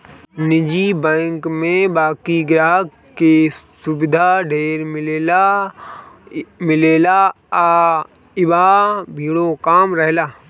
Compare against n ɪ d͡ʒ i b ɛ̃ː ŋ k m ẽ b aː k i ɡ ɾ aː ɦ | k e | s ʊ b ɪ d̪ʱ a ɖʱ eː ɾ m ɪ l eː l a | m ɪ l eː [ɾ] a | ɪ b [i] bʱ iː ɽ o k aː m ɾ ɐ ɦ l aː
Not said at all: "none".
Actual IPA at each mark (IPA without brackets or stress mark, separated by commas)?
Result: l, a